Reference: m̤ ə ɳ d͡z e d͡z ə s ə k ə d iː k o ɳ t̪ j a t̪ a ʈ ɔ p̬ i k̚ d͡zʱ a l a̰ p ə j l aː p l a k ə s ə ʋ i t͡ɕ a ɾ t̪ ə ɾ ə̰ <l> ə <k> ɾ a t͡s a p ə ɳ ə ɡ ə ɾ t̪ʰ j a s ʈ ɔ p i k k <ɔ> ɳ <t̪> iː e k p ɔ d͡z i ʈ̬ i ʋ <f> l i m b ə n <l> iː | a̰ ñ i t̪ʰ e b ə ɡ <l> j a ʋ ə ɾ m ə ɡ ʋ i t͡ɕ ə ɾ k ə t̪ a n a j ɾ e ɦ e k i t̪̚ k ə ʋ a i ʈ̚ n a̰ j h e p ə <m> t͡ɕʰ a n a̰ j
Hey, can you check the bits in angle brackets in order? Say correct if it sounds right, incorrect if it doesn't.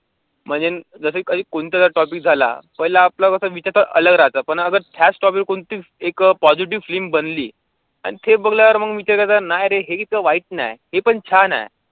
correct, incorrect: ɡ, incorrect: o, correct, correct, correct, correct, incorrect: ɳ

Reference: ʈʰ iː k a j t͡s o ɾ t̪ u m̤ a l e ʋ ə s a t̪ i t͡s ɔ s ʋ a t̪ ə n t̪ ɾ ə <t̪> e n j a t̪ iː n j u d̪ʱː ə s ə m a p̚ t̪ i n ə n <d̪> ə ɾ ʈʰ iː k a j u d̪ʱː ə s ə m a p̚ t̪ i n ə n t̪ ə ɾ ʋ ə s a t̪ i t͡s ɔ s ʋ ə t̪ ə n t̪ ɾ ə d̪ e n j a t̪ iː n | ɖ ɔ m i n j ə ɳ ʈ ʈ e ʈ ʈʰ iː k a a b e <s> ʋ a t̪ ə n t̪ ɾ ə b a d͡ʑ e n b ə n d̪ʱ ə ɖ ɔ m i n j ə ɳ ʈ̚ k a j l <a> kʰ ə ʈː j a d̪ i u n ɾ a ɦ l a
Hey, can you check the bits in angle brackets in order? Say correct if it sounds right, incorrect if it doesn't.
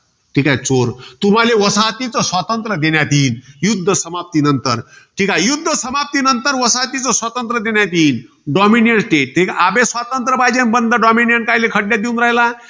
incorrect: d̪, incorrect: t̪, correct, incorrect: e

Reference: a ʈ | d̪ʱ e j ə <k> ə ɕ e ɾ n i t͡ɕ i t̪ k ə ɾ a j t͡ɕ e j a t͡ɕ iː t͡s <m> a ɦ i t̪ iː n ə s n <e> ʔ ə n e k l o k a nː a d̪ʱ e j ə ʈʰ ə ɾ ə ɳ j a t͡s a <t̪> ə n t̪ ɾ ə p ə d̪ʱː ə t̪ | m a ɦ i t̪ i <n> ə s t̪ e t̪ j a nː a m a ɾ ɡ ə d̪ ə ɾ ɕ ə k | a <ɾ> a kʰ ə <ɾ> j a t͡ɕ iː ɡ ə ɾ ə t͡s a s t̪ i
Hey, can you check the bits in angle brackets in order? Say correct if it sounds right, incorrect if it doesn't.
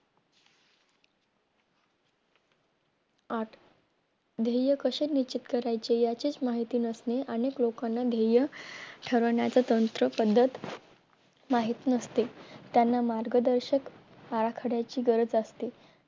correct, correct, correct, correct, correct, correct, incorrect: ɽ

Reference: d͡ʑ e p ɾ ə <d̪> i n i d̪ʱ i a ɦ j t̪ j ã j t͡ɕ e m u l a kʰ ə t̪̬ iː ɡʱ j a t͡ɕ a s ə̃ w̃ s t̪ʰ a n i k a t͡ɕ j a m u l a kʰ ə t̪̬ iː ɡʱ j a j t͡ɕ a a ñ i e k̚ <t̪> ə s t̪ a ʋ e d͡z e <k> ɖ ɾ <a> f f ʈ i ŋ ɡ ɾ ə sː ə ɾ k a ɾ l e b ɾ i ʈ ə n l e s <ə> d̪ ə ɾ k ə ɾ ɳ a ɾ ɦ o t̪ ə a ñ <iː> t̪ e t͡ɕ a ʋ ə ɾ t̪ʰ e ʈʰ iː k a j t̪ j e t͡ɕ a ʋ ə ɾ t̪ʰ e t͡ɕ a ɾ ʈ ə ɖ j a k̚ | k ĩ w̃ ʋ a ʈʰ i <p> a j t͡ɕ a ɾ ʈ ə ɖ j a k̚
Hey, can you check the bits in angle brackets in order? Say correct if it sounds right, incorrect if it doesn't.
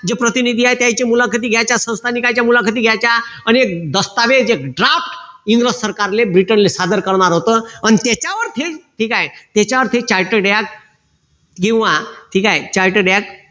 incorrect: t̪, incorrect: d̪, correct, correct, incorrect: a, incorrect: i, incorrect: k

